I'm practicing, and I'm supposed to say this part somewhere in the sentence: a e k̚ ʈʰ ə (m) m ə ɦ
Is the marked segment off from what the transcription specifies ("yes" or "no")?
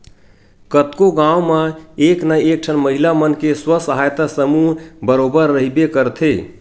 yes